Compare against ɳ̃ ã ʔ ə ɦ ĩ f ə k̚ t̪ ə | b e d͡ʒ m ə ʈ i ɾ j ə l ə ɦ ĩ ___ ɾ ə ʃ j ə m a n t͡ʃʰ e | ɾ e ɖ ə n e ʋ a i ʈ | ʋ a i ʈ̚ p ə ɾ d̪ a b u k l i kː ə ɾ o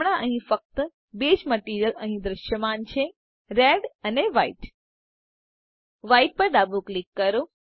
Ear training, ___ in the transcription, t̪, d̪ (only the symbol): d̪